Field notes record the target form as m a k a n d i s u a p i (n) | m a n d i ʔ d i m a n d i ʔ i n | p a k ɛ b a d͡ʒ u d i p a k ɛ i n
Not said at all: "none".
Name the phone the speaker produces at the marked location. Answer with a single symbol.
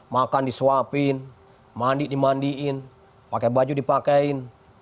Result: n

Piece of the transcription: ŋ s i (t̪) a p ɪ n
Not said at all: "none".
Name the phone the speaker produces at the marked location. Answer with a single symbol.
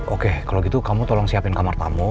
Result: none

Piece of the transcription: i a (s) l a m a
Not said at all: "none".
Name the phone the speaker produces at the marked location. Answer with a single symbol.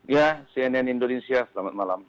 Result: s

